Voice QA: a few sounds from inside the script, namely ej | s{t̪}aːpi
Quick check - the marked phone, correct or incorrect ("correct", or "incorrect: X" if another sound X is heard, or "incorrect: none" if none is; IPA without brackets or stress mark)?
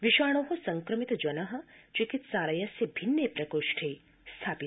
incorrect: t̪ʰ